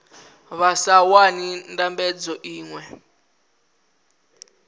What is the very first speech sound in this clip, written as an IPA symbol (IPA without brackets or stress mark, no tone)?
β